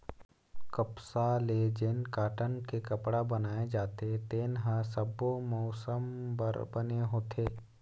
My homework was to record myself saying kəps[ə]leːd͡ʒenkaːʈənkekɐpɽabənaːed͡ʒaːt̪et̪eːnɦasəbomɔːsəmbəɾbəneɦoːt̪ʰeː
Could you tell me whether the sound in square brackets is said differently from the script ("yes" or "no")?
yes